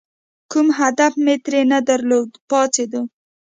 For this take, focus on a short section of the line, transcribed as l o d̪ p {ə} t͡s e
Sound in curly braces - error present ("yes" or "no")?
yes